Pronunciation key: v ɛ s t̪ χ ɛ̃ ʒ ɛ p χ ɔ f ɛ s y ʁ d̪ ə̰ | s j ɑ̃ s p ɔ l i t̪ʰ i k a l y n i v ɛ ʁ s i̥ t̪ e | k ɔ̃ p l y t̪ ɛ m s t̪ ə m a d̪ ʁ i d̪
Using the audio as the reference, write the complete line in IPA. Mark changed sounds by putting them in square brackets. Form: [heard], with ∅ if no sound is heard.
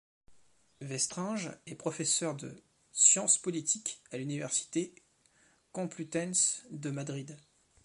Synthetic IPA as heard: v ɛ s t̪ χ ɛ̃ ʒ ɛ p χ ɔ f ɛ s [œ] ʁ d̪ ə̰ | s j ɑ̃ s p ɔ l i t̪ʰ i k a l y n i v ɛ ʁ s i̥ t̪ e | k ɔ̃ p l y t̪ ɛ [n] s [d̪] ə m a d̪ ʁ i d̪